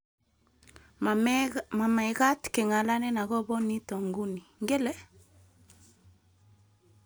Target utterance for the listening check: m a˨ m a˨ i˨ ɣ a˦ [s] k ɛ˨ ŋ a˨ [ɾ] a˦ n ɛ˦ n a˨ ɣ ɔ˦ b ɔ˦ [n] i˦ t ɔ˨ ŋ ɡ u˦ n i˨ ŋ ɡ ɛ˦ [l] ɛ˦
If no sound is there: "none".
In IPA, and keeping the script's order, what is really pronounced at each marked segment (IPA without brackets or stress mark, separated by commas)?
t, l, n, l